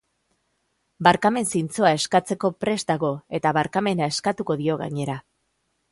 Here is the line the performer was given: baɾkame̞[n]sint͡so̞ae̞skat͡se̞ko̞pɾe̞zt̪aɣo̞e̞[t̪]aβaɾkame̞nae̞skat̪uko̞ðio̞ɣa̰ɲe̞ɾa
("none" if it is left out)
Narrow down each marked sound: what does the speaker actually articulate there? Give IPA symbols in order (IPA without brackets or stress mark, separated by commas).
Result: n, t̪